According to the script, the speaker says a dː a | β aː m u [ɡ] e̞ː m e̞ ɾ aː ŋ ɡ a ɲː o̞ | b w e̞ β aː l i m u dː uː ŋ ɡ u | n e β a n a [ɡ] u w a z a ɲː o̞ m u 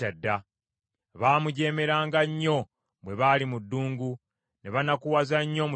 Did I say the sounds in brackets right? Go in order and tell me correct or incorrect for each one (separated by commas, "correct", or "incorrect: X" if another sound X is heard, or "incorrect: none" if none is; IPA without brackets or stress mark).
incorrect: ɟ, incorrect: k